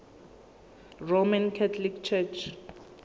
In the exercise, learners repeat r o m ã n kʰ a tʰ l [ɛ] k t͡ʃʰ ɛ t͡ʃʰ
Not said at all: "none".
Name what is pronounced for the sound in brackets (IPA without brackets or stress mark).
i